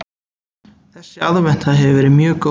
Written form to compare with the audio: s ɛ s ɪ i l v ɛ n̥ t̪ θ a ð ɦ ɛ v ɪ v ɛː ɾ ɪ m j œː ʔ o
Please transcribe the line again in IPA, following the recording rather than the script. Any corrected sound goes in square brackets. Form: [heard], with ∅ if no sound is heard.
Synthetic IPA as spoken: [θ] ɛ s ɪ [a] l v ɛ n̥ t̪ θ a ð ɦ ɛ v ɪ v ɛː ɾ ɪ m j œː [k] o